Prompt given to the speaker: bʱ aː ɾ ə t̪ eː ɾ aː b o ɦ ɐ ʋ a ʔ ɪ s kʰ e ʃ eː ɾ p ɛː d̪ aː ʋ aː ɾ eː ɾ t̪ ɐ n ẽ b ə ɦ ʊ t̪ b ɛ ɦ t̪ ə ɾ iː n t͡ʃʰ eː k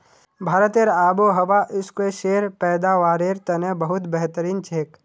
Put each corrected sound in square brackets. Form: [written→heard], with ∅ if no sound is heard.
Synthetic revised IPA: bʱ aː ɾ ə t̪ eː ɾ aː b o ɦ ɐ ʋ a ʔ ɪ s [kʰ→k] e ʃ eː ɾ p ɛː d̪ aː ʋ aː ɾ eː ɾ t̪ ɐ n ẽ b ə ɦ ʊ t̪ b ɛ ɦ t̪ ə ɾ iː n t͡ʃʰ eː k